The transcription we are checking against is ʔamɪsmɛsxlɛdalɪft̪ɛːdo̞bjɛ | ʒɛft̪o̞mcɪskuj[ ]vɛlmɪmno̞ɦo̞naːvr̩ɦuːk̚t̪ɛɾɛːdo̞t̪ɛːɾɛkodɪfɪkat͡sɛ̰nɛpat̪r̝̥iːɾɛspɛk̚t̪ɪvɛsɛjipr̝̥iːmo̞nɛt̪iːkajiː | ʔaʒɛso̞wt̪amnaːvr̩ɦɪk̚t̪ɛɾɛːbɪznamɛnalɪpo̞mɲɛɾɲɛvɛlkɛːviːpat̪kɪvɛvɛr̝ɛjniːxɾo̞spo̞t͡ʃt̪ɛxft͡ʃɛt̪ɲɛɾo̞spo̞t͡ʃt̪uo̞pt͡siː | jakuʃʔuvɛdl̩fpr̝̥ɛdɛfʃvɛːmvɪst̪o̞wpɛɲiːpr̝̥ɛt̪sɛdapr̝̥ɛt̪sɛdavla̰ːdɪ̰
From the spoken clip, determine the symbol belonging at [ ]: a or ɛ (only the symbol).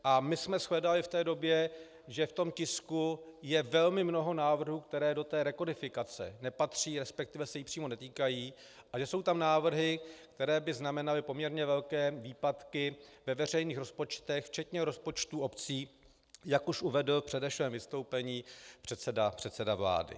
ɛ